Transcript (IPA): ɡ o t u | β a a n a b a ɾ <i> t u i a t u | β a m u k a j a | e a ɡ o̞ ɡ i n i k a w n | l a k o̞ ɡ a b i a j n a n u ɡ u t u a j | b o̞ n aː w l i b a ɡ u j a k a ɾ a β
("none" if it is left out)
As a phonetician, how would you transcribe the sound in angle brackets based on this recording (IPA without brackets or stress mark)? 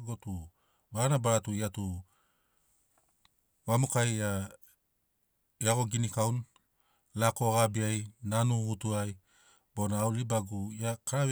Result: a